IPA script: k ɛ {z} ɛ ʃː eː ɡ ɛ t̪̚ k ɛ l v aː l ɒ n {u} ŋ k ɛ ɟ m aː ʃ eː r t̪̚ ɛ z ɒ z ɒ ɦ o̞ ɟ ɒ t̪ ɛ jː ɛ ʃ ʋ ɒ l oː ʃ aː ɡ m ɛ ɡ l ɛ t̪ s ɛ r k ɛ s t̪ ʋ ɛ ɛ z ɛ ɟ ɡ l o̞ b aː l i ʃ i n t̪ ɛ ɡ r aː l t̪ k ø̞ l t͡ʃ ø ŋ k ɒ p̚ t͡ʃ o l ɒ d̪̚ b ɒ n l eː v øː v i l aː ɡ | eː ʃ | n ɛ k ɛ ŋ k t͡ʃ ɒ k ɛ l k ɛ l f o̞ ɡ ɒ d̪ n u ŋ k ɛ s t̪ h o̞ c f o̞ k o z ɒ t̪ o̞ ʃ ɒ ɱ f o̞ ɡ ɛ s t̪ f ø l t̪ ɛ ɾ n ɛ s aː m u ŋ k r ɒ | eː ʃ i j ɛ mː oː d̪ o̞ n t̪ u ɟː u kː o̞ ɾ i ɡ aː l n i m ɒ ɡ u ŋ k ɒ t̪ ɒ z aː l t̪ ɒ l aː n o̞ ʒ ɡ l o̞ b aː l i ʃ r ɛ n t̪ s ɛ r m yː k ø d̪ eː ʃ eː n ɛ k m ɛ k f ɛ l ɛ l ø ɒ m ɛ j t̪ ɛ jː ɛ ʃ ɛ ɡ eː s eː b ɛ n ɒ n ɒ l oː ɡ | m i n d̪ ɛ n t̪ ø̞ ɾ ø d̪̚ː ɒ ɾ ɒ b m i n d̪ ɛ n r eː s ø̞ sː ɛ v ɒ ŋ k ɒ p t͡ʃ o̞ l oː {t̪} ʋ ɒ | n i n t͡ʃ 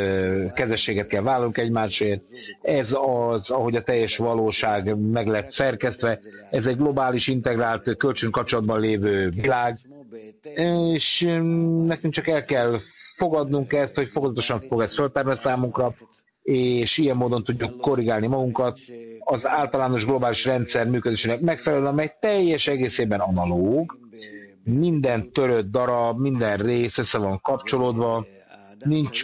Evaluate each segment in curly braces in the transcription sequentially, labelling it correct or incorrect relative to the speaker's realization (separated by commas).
correct, correct, incorrect